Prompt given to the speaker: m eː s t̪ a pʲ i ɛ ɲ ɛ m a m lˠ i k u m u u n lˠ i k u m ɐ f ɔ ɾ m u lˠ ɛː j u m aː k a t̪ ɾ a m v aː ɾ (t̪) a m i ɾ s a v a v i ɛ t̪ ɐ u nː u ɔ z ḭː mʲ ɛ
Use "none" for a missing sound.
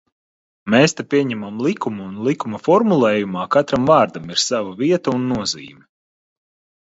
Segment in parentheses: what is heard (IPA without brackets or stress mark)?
d̪